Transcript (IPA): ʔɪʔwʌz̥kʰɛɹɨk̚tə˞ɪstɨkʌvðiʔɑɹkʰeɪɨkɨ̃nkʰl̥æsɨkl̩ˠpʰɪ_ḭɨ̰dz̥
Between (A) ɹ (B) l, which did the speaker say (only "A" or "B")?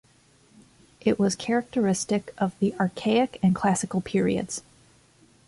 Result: A